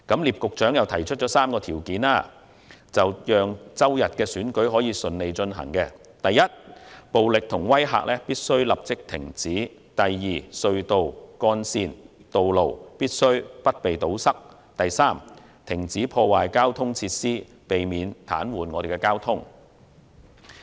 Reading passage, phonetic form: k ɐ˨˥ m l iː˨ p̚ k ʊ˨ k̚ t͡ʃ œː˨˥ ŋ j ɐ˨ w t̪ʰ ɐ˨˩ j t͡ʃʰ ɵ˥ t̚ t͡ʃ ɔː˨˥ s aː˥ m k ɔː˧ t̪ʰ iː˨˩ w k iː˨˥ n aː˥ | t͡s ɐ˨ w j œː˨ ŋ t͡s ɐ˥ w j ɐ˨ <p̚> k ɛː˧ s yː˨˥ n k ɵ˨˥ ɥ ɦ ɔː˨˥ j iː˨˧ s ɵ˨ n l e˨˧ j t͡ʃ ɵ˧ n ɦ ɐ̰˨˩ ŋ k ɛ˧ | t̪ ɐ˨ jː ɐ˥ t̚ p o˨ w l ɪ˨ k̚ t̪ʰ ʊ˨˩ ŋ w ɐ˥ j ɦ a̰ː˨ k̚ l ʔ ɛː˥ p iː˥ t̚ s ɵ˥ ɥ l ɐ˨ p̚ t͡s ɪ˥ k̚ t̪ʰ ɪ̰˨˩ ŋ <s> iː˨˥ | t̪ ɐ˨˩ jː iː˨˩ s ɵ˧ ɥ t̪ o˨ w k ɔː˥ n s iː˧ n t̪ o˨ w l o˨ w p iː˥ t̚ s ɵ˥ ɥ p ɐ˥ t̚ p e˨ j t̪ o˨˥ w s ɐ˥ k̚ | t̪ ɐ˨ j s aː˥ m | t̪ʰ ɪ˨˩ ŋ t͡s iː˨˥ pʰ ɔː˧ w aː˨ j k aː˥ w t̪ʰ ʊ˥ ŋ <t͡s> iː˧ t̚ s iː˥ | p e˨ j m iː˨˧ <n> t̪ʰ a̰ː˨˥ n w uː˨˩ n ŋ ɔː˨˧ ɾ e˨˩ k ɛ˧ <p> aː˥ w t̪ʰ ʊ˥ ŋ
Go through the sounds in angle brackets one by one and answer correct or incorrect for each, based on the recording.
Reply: incorrect, incorrect, incorrect, correct, incorrect

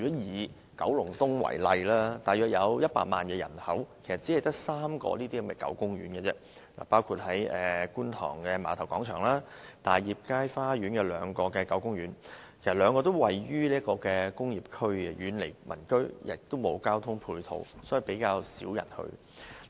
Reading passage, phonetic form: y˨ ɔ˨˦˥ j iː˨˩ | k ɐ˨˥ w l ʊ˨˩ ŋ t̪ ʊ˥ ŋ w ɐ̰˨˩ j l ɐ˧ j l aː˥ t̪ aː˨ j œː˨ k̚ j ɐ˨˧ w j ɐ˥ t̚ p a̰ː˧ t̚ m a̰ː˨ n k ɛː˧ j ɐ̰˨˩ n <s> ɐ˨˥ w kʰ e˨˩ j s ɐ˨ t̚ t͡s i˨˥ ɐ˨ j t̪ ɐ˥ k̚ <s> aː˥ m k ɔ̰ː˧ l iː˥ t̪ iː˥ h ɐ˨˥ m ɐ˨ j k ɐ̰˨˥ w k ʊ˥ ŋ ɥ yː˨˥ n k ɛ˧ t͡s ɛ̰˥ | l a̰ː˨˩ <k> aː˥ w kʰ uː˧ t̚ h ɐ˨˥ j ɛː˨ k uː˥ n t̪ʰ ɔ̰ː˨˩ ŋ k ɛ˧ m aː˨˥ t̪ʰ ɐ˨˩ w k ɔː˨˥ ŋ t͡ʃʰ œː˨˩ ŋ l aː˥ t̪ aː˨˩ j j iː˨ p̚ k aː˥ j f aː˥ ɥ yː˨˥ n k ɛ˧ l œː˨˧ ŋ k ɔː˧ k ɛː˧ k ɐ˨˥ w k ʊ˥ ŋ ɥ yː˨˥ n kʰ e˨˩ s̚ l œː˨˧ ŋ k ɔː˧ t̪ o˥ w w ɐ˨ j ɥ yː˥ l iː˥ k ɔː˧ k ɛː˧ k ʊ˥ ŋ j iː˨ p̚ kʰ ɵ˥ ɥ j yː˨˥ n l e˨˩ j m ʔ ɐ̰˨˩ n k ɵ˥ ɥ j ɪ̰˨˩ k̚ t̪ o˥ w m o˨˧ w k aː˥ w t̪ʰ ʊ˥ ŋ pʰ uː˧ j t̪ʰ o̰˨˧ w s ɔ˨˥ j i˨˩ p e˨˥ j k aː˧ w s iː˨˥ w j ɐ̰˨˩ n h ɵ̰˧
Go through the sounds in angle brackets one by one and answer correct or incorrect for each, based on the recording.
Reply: incorrect, correct, incorrect

